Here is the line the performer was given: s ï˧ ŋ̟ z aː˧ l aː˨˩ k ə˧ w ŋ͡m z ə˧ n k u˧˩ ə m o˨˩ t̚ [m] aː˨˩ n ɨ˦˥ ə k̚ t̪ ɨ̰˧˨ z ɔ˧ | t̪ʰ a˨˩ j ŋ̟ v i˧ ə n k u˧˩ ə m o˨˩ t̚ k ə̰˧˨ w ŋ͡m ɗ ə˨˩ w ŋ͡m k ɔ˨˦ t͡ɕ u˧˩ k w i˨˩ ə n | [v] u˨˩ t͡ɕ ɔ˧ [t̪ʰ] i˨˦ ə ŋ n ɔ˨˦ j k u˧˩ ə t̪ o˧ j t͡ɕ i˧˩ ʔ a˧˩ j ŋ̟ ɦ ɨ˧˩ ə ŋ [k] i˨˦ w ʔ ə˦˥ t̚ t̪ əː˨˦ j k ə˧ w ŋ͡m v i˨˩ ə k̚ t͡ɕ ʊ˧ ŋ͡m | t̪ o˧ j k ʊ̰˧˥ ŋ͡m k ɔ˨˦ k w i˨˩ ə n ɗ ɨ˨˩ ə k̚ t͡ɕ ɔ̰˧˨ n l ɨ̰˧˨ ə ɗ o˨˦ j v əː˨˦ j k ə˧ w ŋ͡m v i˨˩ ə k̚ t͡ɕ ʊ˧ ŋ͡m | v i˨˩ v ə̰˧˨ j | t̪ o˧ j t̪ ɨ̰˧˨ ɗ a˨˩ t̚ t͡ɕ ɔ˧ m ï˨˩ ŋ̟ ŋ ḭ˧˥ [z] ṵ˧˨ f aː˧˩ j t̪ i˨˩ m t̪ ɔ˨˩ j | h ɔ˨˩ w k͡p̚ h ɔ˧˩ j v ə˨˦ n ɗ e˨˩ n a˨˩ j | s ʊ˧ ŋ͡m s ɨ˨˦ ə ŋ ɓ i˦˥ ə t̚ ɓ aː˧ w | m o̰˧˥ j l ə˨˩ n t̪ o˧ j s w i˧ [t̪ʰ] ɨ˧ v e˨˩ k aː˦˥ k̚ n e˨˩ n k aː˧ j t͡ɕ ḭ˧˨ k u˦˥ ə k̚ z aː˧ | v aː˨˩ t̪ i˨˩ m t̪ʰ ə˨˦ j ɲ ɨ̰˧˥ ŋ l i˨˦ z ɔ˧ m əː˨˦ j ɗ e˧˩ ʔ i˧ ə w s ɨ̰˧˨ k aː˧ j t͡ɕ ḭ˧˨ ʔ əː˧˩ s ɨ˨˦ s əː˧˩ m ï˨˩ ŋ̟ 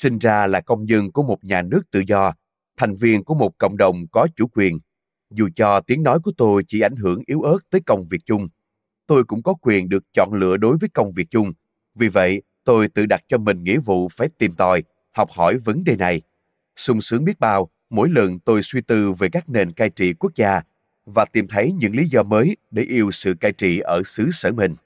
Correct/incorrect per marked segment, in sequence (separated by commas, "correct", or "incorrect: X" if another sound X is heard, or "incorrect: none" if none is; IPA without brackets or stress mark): incorrect: ɲ, incorrect: z, incorrect: t̪, incorrect: ʔ, incorrect: v, incorrect: t̪